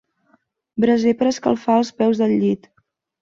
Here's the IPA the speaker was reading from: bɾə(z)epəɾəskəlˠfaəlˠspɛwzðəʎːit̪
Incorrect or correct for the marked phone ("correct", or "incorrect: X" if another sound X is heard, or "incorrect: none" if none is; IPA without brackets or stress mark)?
correct